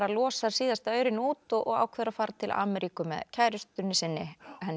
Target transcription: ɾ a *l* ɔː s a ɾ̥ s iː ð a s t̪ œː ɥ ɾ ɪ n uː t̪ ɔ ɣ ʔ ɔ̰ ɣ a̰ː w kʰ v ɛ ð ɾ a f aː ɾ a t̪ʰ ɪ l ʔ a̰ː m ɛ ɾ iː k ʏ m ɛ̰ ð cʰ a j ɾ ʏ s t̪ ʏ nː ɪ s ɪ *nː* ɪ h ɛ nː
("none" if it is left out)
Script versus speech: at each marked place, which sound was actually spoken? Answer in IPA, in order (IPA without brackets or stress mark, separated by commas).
l, nː